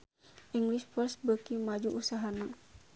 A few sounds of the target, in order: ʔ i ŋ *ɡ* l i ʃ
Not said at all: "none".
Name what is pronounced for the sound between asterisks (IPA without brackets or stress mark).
ɡ